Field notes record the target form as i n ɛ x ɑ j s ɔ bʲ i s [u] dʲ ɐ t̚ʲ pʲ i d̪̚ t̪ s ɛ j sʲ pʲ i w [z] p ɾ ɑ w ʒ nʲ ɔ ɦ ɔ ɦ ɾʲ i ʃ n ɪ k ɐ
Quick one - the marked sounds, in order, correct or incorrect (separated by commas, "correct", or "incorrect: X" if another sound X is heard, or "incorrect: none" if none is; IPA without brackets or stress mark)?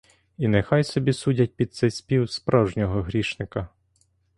correct, incorrect: s